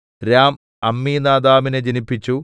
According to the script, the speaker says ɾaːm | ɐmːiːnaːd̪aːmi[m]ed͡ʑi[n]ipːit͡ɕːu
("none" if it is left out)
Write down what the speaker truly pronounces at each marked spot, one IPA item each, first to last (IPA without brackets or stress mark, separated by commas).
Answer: n, n